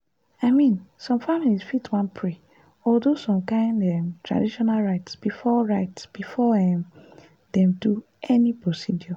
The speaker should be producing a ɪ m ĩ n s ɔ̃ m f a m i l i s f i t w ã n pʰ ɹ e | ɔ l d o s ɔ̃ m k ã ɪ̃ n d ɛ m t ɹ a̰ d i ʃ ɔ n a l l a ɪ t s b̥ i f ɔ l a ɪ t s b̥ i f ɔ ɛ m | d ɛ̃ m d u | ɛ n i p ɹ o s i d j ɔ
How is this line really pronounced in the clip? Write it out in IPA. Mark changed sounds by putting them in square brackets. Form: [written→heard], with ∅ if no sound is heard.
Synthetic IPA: a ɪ m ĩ n s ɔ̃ m f a m i l i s f i t w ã n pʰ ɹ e | ɔ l d o s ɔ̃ m k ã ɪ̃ n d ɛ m t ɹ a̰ d i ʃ ɔ n a l [l→ɹ] a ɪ t s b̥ i f ɔ [l→ɹ] a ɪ t s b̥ i f ɔ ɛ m | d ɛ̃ m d u | ɛ n i p ɹ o s i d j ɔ